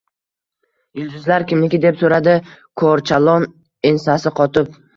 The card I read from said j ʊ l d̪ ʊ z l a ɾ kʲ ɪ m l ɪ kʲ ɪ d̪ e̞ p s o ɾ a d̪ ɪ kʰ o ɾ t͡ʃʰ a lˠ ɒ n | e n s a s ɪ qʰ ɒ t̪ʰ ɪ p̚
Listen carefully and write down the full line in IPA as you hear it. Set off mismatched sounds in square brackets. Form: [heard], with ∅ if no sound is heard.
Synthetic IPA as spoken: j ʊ l d̪ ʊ z l a ɾ kʲ ɪ m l ɪ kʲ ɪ d̪ e̞ p s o ɾ a d̪ ɪ kʰ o ɾ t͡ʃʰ a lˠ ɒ n | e n s a s ɪ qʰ ɒ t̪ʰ ɪ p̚

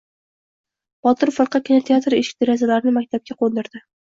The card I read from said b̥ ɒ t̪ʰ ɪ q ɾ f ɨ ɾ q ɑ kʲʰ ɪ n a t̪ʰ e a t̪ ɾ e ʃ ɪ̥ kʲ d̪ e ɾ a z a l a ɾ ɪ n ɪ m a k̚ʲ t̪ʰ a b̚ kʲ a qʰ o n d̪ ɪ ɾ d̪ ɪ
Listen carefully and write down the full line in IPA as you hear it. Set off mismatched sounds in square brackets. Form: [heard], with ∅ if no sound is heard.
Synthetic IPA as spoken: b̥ ɒ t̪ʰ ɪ [∅] ɾ f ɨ ɾ q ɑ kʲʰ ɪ n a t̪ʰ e a t̪ ɾ e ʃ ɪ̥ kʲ d̪ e ɾ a z a l a ɾ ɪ n ɪ m a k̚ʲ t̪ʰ a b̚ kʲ a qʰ o n d̪ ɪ ɾ d̪ ɪ

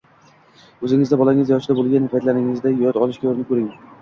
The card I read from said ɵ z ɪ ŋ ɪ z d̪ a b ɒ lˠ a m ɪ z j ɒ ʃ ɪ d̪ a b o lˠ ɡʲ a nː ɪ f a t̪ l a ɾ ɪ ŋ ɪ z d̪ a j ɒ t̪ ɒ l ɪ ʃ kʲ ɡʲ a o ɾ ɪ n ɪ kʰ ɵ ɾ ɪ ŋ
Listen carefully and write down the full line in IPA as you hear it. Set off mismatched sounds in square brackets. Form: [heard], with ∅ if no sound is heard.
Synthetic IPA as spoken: ɵ z ɪ ŋ ɪ z d̪ a b ɒ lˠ a [ŋ] ɪ z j ɒ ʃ ɪ d̪ a b o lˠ ɡʲ a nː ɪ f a t̪ l a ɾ ɪ ŋ ɪ z d̪ a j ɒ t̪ ɒ l ɪ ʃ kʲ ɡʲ a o ɾ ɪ n ɪ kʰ ɵ ɾ ɪ ŋ

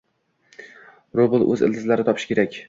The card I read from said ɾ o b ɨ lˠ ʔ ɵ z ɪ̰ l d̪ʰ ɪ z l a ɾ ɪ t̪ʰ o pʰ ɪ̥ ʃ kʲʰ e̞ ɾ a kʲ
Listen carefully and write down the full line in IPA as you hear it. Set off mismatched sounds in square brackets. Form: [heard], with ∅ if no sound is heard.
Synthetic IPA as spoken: ɾ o b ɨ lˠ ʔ ɵ z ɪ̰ l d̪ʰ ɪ z l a ɾ ɪ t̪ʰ [ɒ] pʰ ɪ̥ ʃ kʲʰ e̞ ɾ a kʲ

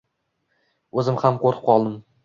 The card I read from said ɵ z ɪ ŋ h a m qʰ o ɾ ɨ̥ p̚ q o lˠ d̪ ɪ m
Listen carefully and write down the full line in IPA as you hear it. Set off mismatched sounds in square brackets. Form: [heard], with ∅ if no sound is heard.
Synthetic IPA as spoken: ɵ z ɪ [m] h a m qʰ o ɾ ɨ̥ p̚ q [ɒ] lˠ d̪ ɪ m

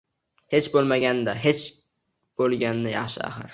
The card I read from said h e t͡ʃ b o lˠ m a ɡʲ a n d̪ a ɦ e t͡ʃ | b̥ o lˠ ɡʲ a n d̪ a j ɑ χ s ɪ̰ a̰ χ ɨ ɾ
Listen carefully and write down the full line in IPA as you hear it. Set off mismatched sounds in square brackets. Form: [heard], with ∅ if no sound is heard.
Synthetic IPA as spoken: h e t͡ʃ b o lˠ m a ɡʲ a n d̪ a ɦ e t͡ʃ | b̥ o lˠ ɡʲ a n d̪ a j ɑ χ [ʃ] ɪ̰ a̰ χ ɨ ɾ

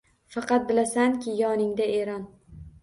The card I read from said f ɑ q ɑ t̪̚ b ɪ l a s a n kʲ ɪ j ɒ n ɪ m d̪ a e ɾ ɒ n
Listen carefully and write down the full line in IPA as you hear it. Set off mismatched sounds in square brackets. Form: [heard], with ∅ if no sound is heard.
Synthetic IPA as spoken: f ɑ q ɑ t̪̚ b ɪ l a s a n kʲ ɪ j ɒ n ɪ [ŋ] d̪ a e ɾ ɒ n

